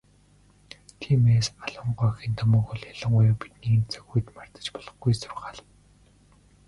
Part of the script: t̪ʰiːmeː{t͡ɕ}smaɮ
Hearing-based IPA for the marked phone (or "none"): none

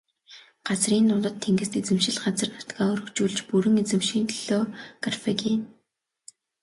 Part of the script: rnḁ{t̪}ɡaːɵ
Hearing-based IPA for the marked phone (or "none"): t̪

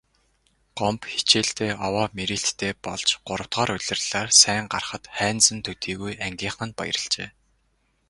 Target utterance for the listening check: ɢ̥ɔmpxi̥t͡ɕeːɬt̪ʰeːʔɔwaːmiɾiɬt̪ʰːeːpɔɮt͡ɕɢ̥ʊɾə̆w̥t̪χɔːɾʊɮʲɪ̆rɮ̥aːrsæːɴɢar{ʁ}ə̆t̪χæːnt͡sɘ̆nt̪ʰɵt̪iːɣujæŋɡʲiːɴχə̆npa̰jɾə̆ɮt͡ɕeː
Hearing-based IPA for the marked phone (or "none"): χ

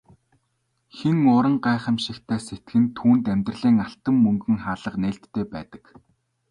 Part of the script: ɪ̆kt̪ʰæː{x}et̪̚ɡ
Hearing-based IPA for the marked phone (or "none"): s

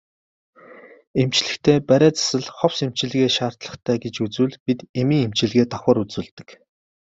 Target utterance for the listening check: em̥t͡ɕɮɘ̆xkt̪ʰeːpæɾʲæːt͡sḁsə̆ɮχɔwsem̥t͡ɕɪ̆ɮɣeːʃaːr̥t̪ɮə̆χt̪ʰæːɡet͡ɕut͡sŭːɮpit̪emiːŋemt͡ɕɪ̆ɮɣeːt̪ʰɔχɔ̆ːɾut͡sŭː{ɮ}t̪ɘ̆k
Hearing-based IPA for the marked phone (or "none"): ɮ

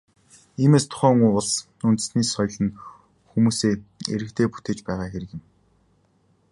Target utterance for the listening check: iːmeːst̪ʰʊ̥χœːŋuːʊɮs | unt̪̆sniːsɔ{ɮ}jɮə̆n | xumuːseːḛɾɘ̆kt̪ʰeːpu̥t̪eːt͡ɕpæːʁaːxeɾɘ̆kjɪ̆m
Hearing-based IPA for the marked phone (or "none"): none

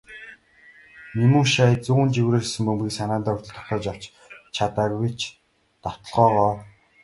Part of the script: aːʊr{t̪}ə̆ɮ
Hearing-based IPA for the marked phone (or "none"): t̪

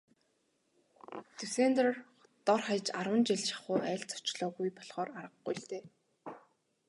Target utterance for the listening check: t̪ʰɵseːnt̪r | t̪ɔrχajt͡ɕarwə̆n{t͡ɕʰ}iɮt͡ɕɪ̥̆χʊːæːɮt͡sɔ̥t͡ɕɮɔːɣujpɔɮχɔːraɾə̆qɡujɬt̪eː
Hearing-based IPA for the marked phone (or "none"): t͡ɕ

